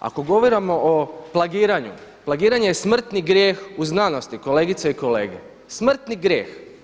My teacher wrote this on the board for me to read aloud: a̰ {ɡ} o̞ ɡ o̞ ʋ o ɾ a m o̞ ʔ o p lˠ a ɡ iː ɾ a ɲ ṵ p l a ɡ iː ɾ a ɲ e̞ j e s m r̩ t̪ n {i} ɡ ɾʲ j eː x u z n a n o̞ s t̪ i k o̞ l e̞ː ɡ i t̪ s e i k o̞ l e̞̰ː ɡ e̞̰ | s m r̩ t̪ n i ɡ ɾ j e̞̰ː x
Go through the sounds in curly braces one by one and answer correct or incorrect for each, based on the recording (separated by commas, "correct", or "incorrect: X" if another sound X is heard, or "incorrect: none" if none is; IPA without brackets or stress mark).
incorrect: k, correct